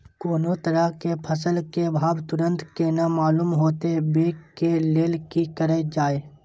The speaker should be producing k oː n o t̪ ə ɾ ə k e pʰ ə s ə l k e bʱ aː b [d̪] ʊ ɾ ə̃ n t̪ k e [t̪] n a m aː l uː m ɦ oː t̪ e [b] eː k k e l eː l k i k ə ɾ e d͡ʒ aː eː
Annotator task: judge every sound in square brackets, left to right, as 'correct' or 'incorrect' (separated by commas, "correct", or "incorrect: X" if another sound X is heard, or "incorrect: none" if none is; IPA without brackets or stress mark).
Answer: incorrect: t̪, incorrect: none, correct